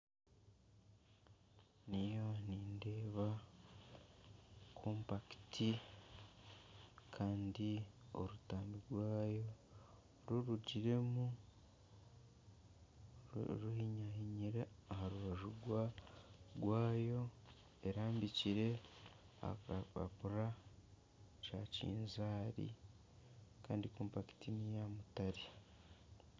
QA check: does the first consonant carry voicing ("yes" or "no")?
yes